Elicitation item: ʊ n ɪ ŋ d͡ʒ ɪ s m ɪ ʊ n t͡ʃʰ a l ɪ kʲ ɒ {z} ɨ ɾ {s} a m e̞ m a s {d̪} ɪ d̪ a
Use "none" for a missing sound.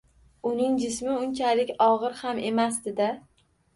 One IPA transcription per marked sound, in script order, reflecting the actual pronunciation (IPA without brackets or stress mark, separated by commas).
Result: ʁ, h, d̪